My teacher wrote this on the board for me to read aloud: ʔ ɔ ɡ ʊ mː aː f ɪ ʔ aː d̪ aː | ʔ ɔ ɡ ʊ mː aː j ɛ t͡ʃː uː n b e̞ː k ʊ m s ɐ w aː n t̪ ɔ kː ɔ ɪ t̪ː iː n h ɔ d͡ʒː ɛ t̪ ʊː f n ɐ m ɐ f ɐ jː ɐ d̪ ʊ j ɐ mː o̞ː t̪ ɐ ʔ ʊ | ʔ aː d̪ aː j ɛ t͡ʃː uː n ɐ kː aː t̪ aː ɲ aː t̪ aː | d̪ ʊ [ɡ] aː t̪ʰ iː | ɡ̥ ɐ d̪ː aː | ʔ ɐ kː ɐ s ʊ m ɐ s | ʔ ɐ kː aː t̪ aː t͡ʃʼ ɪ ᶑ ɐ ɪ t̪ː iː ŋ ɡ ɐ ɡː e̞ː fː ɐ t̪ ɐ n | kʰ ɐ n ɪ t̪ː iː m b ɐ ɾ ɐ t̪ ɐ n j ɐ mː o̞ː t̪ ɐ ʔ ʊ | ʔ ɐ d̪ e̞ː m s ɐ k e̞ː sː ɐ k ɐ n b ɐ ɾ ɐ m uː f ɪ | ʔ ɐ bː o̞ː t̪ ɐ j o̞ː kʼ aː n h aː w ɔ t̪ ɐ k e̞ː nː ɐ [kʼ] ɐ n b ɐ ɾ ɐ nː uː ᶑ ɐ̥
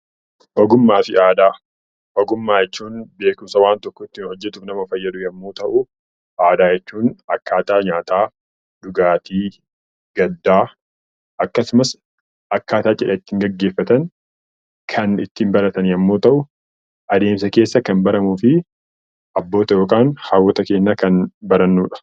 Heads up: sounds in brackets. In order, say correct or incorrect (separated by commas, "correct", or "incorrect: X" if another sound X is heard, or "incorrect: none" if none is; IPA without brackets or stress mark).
correct, incorrect: k